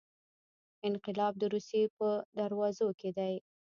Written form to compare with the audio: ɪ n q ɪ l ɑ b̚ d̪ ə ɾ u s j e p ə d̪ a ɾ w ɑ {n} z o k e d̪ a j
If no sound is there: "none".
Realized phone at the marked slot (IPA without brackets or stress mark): none